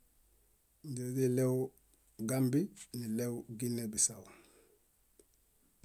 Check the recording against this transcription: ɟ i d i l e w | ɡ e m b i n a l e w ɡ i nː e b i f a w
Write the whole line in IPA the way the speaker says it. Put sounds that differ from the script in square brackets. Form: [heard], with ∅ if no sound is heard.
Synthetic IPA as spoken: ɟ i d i l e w | ɡ [a] m b i n [i] l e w ɡ i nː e b i [s] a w